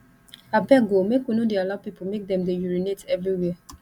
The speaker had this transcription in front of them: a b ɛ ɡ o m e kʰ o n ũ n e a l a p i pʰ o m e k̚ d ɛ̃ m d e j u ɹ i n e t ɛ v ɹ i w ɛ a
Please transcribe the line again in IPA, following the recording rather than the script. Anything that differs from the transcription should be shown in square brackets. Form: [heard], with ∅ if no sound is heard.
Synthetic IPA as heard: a b ɛ ɡ o m e [k] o n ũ [d] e a l a p i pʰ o m e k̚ d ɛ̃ m d e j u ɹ i n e t ɛ v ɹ i w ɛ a